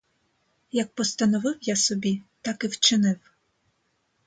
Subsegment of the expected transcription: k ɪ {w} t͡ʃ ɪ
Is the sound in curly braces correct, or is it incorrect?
correct